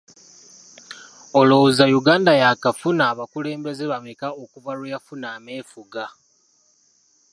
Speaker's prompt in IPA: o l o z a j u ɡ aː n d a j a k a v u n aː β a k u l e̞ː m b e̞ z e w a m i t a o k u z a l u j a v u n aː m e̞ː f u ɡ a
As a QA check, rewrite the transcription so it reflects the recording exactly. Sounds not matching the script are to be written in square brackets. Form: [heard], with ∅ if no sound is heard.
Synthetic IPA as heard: o l o z a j u ɡ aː n d a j a k a [f] u n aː β a k u l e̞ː m b e̞ z e [β] a m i [k] a o k u [v] a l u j a [f] u n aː m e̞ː f u ɡ a